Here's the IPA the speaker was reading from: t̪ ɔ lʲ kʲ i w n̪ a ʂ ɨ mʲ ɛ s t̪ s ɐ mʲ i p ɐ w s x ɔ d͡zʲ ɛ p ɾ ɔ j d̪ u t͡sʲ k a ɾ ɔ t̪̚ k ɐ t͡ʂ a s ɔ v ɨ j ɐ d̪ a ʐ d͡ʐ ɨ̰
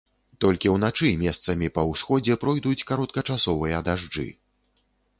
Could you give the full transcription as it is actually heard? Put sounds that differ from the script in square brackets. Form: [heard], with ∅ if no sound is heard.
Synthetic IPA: t̪ ɔ lʲ kʲ i w n̪ a [t͡ʂ] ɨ mʲ ɛ s t̪ s ɐ mʲ i p ɐ w s x ɔ d͡zʲ ɛ p ɾ ɔ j d̪ u t͡sʲ k a ɾ ɔ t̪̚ k ɐ t͡ʂ a s ɔ v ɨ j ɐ d̪ a ʐ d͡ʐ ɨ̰